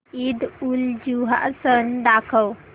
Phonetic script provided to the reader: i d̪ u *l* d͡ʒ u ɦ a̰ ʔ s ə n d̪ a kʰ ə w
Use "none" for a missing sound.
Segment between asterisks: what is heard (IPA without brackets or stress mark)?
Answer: l